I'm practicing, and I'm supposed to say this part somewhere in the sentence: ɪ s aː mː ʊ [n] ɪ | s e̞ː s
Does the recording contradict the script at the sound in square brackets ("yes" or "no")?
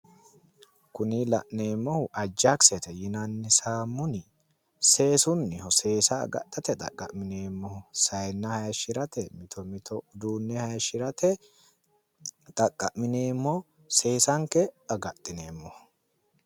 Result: no